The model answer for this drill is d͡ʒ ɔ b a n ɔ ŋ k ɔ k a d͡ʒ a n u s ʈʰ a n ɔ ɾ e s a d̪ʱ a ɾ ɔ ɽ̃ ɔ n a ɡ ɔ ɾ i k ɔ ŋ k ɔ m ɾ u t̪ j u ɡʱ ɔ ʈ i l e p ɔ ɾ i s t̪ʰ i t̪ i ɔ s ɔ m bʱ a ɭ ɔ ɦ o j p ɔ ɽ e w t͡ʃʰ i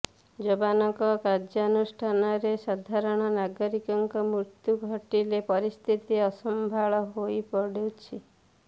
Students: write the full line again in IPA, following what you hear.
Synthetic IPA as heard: d͡ʒ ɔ b a n ɔ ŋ k ɔ k a d͡ʒ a n u s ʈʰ a n ɔ ɾ e s a d̪ʱ a ɾ ɔ ɽ̃ ɔ n a ɡ ɔ ɾ i k ɔ ŋ k ɔ m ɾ u t̪ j u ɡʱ ɔ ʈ i l e p ɔ ɾ i s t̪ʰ i t̪ i ɔ s ɔ m bʱ a ɭ ɔ ɦ o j p ɔ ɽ e w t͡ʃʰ i